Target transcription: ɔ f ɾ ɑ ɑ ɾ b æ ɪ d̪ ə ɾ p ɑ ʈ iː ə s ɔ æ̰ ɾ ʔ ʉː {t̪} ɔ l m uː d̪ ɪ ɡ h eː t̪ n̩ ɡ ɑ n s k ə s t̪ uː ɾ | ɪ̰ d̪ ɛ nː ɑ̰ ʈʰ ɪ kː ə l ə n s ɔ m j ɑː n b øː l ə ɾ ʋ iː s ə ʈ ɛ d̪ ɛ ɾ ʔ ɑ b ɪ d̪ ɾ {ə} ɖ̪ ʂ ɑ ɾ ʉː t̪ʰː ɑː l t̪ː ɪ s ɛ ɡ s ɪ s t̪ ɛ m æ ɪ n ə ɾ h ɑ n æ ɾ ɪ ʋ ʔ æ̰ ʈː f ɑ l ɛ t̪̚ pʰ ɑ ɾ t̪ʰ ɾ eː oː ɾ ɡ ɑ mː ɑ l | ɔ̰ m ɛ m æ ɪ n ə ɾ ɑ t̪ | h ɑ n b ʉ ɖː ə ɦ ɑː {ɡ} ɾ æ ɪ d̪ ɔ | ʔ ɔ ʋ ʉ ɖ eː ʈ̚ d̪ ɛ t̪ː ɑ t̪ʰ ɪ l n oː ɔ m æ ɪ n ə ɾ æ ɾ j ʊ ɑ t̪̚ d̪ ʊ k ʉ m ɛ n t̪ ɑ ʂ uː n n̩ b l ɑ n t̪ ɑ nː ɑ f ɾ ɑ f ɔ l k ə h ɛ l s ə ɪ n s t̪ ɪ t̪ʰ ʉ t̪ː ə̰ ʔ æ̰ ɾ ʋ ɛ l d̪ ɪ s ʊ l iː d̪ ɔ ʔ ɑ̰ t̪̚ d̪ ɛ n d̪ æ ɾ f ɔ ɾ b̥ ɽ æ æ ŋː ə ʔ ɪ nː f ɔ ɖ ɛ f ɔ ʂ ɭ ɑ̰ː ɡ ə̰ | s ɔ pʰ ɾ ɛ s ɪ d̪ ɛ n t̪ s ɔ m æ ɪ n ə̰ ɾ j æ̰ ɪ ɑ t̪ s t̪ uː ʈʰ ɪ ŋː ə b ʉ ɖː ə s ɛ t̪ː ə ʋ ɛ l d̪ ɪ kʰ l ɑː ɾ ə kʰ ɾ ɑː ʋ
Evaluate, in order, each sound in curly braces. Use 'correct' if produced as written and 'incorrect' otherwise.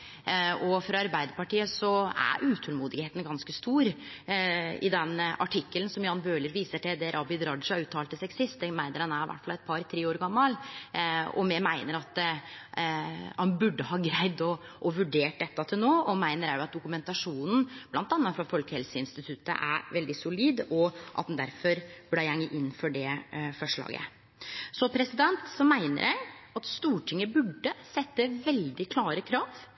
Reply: incorrect, incorrect, correct

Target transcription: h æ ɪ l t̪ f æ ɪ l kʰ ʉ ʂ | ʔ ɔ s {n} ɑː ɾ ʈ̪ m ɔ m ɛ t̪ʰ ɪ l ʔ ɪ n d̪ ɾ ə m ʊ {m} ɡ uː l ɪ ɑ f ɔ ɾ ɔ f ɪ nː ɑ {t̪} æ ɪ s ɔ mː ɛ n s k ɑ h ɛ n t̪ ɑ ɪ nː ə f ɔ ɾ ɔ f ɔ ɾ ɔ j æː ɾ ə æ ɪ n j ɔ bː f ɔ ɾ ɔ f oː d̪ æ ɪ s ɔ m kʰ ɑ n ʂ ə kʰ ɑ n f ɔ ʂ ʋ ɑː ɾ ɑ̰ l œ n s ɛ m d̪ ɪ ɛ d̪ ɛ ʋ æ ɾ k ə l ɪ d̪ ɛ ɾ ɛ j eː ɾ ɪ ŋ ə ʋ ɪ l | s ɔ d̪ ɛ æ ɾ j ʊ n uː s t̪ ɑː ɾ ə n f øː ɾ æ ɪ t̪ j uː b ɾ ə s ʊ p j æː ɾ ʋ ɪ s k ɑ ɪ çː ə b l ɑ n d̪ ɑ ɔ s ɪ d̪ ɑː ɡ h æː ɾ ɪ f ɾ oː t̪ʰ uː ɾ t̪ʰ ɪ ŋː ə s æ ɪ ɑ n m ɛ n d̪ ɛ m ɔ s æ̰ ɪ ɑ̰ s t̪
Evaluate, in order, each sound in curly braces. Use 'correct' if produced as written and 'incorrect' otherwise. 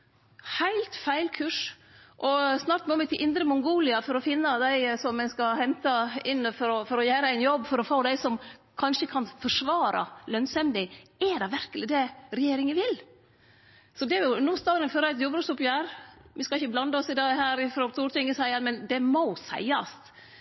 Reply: correct, incorrect, incorrect

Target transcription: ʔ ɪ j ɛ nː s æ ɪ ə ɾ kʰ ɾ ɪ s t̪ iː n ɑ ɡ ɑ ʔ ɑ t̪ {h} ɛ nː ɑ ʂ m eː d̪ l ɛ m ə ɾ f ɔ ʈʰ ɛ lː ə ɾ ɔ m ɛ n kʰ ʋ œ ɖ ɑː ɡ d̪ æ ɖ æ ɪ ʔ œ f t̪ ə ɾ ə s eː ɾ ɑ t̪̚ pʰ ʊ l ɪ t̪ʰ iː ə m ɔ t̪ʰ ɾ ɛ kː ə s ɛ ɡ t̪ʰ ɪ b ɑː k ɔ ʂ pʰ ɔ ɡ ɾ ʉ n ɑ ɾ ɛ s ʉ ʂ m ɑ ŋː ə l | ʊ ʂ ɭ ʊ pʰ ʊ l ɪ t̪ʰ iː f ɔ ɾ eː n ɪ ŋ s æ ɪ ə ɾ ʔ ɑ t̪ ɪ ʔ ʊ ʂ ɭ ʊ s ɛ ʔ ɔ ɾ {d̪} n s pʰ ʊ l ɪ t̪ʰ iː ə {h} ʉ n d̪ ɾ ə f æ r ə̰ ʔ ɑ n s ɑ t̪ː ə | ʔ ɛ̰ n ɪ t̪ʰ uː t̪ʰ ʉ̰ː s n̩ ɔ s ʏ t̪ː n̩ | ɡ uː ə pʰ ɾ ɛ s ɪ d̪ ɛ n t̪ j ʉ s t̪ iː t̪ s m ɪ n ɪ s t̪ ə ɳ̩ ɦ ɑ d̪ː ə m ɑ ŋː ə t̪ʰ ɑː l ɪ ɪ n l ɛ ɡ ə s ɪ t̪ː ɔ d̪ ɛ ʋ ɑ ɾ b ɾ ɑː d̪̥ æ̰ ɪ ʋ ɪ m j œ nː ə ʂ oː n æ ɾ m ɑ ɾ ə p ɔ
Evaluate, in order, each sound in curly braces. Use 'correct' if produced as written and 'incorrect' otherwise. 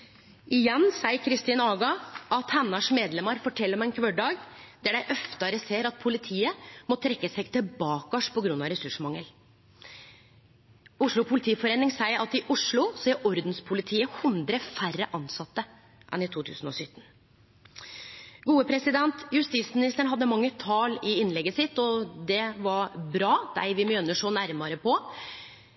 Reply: correct, correct, correct

